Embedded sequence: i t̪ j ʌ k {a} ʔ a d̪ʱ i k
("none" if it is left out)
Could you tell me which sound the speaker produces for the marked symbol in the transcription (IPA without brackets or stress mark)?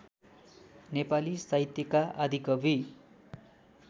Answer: a